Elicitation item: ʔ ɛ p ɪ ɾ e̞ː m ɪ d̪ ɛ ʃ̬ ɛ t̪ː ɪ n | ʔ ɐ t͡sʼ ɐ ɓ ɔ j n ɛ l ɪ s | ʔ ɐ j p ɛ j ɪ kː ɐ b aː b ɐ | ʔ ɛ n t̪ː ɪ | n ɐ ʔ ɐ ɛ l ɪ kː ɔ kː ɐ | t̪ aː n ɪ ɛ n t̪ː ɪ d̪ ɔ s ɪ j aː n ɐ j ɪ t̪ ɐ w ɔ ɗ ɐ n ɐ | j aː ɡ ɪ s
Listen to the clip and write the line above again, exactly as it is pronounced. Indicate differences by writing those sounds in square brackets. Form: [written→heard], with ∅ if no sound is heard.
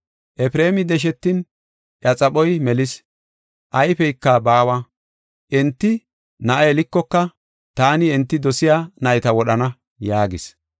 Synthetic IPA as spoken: ʔ ɛ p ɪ ɾ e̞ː m ɪ d̪ ɛ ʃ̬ ɛ t̪ː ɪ n | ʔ ɐ t͡sʼ ɐ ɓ ɔ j [n→m] ɛ l ɪ s | ʔ ɐ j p ɛ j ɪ kː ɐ b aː [b→w] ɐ | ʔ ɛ n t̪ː ɪ | n ɐ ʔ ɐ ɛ l ɪ kː ɔ kː ɐ | t̪ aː n ɪ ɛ n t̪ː ɪ d̪ ɔ s ɪ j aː n ɐ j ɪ t̪ ɐ w ɔ ɗ ɐ n ɐ | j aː ɡ ɪ s